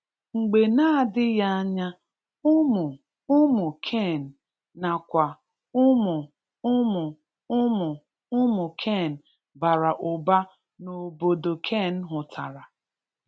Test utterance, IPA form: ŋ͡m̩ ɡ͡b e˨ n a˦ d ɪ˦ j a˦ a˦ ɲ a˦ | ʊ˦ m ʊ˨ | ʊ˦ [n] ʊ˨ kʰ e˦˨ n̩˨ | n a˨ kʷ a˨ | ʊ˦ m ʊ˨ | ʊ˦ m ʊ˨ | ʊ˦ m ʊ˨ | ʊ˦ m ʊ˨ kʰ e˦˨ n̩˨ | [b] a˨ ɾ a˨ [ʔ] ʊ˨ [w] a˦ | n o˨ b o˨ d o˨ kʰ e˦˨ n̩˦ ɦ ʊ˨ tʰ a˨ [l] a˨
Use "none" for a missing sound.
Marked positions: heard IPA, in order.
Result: m, b, ʔ, b, ɾ

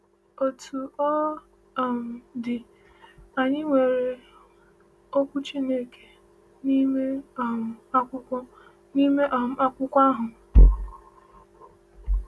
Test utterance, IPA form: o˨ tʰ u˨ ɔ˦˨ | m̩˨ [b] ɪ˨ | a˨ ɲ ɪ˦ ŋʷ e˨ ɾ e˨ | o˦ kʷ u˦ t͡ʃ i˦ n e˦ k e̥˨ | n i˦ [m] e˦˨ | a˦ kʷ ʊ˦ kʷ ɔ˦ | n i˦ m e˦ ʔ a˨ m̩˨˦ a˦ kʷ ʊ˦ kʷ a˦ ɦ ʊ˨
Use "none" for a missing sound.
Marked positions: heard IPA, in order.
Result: d, m

